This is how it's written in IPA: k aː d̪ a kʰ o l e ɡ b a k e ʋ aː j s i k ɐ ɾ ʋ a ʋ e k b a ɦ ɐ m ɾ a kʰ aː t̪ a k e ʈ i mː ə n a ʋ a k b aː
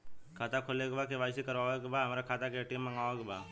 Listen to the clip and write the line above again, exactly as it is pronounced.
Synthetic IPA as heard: kʰ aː t̪ a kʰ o l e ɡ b a k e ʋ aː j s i k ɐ ɾ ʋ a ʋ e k b a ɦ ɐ m ɾ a kʰ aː t̪ a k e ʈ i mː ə ŋ a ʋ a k b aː